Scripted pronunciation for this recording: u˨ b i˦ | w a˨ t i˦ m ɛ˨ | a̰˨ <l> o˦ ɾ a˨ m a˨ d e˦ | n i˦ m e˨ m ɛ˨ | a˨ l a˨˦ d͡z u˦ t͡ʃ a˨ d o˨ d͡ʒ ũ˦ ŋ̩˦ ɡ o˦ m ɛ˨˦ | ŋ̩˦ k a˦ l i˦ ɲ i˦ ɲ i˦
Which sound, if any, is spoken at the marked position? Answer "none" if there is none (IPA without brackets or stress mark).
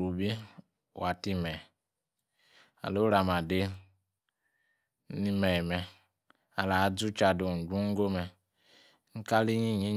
l